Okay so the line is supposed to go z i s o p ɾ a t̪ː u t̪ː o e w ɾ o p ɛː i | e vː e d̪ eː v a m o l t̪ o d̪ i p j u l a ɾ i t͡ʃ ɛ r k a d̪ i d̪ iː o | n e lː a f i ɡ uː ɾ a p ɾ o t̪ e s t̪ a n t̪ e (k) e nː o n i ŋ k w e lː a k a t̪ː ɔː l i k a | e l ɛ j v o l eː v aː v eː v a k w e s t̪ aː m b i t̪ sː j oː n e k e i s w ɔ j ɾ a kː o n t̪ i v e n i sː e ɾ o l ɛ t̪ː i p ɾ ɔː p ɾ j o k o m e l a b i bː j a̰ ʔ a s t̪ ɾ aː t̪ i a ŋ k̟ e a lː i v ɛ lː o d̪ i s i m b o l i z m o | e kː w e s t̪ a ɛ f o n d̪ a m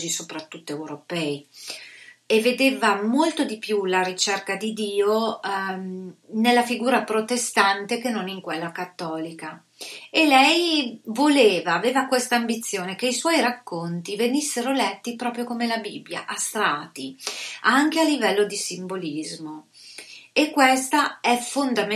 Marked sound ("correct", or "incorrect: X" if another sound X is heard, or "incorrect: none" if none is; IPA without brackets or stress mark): correct